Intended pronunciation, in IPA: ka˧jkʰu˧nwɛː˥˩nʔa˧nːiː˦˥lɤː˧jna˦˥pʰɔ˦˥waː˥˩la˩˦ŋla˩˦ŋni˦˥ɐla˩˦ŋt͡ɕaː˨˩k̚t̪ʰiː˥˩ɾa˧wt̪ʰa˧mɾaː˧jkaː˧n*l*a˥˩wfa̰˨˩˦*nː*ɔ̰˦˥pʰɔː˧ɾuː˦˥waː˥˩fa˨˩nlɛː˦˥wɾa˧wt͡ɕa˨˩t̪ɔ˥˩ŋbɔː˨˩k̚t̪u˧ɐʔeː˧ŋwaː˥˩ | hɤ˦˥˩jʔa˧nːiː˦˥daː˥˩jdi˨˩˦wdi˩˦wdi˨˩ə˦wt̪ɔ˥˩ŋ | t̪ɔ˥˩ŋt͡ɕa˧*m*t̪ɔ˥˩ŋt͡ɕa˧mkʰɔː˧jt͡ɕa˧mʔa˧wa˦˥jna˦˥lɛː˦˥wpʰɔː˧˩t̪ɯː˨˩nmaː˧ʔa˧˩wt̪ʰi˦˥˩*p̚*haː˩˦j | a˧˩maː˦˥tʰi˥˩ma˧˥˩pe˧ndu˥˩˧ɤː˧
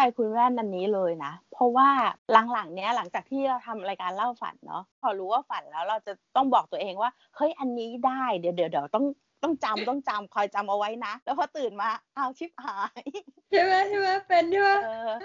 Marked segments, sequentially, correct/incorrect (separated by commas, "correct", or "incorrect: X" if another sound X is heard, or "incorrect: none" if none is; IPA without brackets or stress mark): correct, correct, correct, correct